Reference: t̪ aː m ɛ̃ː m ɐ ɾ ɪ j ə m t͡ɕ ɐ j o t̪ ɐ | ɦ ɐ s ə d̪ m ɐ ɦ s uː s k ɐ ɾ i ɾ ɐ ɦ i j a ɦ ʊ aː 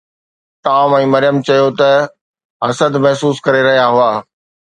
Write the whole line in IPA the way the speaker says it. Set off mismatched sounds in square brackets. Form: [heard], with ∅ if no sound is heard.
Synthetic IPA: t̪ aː m ɛ̃ː m ɐ ɾ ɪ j ə m t͡ɕ ɐ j o t̪ ɐ | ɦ ɐ s ə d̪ m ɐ ɦ s uː s k ɐ ɾ [e] ɾ ɐ ɦ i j a ɦ ʊ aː